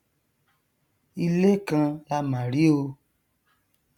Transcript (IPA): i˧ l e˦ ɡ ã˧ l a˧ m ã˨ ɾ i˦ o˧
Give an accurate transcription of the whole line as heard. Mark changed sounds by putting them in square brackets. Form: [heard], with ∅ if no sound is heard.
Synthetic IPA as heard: i˧ l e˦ [k] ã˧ l a˧ m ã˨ ɾ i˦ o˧